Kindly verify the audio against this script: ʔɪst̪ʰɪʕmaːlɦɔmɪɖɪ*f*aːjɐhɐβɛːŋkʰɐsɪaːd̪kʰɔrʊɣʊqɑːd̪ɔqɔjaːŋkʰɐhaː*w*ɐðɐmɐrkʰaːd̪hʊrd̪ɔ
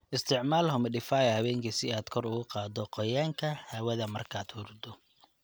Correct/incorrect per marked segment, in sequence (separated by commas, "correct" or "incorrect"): correct, correct